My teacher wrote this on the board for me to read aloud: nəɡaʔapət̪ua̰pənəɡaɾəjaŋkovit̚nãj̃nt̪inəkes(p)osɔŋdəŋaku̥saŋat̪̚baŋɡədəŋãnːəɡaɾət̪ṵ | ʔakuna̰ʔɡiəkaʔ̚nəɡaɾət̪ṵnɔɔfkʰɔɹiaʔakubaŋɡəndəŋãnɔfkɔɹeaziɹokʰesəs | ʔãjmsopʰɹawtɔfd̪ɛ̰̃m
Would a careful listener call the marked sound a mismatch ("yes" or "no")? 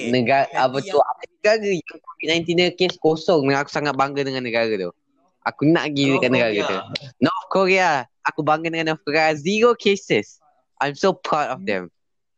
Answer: yes